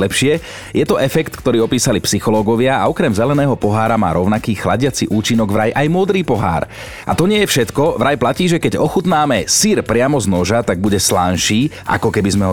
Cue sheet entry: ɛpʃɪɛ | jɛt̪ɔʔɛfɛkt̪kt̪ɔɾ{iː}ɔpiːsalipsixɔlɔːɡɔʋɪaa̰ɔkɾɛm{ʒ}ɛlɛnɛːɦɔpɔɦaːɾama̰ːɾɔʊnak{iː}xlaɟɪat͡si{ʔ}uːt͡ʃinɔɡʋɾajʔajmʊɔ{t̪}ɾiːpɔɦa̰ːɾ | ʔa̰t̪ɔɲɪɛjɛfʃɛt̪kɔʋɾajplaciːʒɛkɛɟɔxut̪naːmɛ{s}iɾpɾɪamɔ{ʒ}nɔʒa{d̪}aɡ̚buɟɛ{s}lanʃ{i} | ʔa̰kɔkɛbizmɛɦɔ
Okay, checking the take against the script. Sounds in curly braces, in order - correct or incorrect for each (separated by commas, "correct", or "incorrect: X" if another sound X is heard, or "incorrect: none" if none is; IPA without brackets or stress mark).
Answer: correct, incorrect: z, correct, correct, incorrect: d̪, correct, incorrect: z, incorrect: t̪, correct, incorrect: iː